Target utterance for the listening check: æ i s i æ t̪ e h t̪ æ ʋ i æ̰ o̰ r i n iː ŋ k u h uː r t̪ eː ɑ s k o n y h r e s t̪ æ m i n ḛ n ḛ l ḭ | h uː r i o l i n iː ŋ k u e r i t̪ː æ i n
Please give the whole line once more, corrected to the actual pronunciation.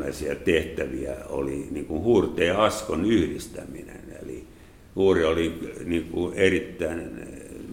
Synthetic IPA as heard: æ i s i æ t̪ e h t̪ æ ʋ i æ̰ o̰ l i n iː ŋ k u h uː r t̪ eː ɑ s k o n y h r i s t̪ æ m i n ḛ n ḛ l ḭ | h uː r i o l i n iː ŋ k u e r i t̪ː æ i n